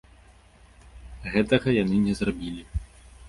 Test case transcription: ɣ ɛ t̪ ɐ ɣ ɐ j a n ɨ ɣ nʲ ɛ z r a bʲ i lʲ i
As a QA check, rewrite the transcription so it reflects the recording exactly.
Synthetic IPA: ɣ ɛ t̪ ɐ ɣ ɐ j a n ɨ nʲ ɛ z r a bʲ i lʲ i